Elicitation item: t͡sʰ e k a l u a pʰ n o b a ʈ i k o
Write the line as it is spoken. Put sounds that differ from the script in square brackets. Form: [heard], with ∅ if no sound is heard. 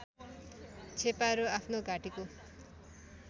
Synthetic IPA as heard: t͡sʰ e [p] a [ɾ] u a pʰ n o [ɡ] a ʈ i k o